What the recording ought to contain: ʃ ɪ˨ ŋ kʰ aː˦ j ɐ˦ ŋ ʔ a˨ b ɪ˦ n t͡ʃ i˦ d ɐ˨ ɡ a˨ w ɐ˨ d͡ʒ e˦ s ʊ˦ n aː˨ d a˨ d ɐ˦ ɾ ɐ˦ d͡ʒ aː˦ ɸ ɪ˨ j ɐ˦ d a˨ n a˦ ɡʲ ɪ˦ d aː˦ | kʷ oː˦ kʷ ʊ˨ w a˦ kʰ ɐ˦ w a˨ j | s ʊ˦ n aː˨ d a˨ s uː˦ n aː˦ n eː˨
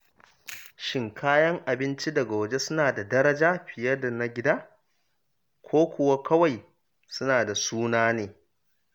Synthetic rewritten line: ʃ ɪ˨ ŋ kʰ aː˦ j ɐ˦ ŋ ʔ a˨ b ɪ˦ n t͡ʃ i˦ d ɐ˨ ɡ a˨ w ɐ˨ d͡ʒ e˦ s ʊ˦ n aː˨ d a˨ d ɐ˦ ɾ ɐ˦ d͡ʒ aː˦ ɸ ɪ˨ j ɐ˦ d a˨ n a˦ ɡʲ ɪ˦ d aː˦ | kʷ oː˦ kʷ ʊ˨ w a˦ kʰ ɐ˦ w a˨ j | s ʊ˦ n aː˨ d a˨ s uː˦ n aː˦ n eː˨

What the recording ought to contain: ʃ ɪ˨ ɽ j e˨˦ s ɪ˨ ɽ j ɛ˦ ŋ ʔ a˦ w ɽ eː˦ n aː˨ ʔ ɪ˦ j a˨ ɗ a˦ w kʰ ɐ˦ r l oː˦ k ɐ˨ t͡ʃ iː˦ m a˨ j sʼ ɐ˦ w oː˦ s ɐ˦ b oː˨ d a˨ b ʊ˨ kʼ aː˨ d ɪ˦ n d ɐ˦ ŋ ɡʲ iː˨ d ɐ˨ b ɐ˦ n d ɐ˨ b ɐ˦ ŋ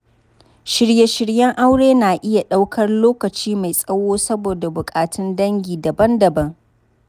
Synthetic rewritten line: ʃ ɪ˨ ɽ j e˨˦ ʃ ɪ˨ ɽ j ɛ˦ ŋ ʔ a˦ w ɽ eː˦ n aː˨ ʔ ɪ˦ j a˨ ɗ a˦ w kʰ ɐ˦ r l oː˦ k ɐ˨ t͡ʃ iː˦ m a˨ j sʼ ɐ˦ w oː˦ s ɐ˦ b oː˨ d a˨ b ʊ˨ kʼ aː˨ t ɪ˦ n d ɐ˦ ŋ ɡʲ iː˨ d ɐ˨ b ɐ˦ n d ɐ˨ b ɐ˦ ŋ

